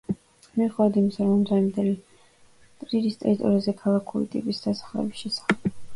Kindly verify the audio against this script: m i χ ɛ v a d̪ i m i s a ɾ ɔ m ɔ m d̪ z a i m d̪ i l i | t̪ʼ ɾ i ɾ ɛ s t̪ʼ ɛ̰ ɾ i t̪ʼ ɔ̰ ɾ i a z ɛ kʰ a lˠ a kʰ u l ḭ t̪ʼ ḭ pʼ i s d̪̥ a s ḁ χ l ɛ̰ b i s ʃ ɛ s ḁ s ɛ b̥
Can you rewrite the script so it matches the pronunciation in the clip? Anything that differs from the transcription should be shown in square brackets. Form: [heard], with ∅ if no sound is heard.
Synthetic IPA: m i χ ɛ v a d̪ i m i s a ɾ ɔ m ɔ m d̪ z a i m d̪ [ɛ] l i | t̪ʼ ɾ i ɾ [i] s t̪ʼ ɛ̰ ɾ i t̪ʼ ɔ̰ ɾ i a z ɛ kʰ a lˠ a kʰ u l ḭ t̪ʼ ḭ pʼ i s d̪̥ a s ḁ χ l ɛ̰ b i s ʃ ɛ s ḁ [χ] ɛ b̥